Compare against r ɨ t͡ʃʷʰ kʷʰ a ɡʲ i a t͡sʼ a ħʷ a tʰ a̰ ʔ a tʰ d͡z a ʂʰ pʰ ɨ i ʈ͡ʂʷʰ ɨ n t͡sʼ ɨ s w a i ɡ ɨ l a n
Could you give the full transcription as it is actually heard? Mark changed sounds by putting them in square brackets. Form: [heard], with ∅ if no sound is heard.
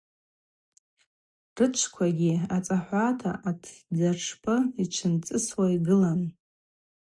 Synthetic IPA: r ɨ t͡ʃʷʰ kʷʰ a ɡʲ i a t͡sʼ a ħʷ a tʰ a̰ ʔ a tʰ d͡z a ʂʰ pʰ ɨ i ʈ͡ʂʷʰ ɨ n t͡sʼ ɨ s w a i ɡ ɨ l a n